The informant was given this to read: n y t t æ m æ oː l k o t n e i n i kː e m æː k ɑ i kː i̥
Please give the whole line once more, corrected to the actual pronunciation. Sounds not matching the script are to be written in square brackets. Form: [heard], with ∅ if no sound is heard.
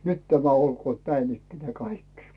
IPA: n y t t æ m æ [o] l k [oː] t n [æ] i n i kː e [n] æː k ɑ i kː i̥